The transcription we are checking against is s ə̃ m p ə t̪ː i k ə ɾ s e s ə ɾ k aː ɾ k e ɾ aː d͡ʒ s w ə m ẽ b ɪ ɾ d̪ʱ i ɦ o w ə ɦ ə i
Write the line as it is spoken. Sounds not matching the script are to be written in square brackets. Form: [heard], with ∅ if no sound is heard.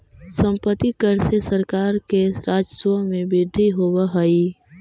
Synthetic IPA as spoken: s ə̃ m p ə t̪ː i k ə ɾ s e s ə ɾ k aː ɾ k e ɾ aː d͡ʒ s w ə m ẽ b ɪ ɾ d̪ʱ i ɦ o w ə ɦ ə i